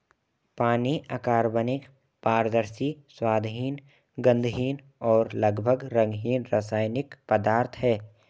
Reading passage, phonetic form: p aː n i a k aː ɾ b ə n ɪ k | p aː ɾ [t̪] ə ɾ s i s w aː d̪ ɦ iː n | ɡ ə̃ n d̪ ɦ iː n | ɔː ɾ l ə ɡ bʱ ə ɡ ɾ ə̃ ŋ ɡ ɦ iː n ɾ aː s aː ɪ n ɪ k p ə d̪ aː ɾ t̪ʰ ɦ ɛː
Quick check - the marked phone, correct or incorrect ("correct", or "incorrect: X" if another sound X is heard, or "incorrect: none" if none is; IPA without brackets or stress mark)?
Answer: incorrect: d̪